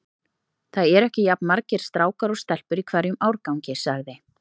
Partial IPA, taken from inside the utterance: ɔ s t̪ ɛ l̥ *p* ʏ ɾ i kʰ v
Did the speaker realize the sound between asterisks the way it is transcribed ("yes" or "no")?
yes